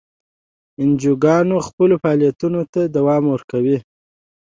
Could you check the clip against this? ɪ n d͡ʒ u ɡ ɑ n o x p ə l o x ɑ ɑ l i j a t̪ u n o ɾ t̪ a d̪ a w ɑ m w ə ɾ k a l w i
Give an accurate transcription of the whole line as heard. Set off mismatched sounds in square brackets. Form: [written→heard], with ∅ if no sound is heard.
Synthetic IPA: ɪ n d͡ʒ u ɡ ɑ n o x p ə l o [x→f] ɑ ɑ l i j a t̪ u n o [ɾ→∅] t̪ a d̪ a w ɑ m w ə ɾ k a [l→∅] w i